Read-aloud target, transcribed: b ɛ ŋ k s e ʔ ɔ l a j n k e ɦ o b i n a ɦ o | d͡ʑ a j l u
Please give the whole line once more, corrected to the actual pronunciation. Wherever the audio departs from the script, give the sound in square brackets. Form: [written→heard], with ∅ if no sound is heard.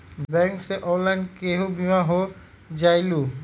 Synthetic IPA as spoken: b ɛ ŋ k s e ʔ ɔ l a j n k e ɦ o b i [n→m] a ɦ o | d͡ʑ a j l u